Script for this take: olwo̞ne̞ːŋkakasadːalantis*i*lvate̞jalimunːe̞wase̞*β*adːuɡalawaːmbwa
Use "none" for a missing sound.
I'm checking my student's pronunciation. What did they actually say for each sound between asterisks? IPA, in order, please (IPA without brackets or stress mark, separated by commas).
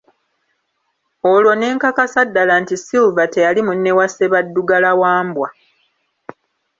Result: i, β